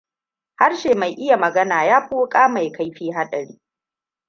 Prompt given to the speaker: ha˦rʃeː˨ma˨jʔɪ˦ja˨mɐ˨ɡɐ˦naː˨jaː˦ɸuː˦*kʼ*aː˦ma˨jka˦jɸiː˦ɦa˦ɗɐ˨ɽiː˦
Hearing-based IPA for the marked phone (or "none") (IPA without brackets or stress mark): kʼ